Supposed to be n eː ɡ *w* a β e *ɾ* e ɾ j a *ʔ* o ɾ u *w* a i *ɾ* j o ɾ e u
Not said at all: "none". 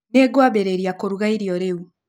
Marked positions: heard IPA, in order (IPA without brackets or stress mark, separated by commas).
w, ɾ, k, ɣ, ɾ